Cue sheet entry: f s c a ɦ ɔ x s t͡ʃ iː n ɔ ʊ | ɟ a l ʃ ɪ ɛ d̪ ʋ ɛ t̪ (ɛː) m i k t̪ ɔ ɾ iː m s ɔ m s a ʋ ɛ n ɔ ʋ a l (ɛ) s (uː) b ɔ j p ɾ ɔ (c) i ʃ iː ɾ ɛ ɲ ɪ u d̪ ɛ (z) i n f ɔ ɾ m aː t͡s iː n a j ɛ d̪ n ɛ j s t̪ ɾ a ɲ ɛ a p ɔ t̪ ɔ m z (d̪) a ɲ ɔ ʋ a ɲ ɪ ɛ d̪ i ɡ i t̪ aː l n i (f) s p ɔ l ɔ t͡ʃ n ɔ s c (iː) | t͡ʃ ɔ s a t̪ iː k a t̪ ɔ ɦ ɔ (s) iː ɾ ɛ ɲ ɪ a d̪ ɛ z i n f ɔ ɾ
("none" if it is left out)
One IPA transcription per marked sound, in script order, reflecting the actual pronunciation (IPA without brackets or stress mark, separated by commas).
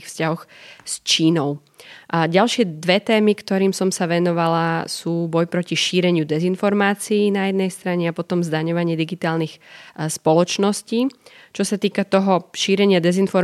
ɛː, a, uː, c, z, d̪, x, iː, ʃ